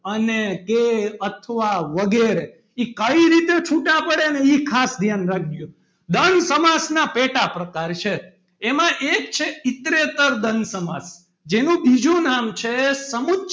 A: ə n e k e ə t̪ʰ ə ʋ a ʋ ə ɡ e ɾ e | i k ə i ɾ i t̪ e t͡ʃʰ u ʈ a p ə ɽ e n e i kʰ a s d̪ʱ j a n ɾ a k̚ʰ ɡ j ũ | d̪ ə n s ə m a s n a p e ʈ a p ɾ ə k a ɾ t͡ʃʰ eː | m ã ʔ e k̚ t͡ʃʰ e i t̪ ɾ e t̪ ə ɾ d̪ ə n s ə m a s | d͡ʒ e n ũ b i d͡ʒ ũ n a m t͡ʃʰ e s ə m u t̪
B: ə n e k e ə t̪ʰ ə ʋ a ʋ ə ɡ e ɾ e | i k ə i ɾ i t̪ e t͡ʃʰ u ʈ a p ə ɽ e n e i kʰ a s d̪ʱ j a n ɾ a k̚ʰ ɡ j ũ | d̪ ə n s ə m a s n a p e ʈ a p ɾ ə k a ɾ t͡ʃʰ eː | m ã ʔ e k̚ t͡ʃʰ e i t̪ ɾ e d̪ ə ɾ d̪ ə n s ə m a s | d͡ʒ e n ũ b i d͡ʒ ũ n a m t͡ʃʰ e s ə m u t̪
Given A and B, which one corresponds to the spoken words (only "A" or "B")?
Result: A